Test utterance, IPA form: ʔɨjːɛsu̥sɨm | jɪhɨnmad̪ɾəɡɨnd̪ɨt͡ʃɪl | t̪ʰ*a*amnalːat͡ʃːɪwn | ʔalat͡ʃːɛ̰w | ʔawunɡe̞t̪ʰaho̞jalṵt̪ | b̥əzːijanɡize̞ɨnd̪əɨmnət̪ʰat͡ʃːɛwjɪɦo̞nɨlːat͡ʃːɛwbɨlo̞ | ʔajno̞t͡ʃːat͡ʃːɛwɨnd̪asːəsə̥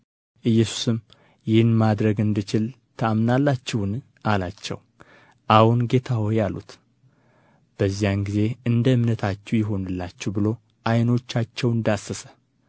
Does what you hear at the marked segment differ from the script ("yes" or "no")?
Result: yes